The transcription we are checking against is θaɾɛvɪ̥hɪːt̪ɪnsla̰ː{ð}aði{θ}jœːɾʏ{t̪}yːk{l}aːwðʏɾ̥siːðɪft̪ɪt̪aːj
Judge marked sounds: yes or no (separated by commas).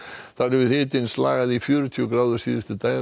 no, no, no, no